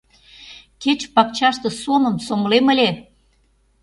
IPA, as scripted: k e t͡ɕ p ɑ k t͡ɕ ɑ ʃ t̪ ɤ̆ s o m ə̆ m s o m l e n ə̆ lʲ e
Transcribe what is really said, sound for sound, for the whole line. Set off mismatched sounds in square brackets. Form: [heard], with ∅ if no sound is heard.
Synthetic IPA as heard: k e t͡ɕ p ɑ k t͡ɕ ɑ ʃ t̪ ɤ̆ s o m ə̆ m s o m l e [m] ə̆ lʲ e